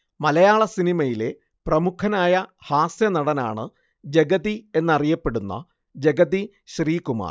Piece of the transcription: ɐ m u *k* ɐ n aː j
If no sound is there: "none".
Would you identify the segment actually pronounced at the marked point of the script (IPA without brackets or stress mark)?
kʰ